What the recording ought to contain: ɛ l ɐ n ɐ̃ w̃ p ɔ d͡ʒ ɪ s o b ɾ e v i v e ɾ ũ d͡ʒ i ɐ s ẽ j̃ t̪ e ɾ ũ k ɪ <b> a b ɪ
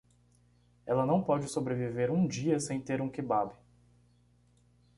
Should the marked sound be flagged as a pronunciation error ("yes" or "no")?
no